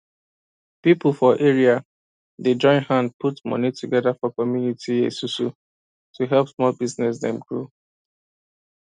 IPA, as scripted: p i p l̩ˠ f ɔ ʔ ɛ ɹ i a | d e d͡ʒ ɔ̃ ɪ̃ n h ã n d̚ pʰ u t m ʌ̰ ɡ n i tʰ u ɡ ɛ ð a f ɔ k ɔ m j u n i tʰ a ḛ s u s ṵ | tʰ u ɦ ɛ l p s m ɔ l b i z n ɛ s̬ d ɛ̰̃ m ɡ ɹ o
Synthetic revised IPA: p i p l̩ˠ f ɔ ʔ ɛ ɹ i a | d e d͡ʒ ɔ̃ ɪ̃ n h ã n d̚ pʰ u t m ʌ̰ n i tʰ u ɡ ɛ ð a f ɔ k ɔ m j u n i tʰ i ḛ s u s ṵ | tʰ u ɦ ɛ l p s m ɔ l b i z n ɛ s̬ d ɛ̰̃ m ɡ ɹ o